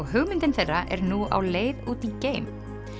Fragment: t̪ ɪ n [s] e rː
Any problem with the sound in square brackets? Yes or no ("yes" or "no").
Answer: yes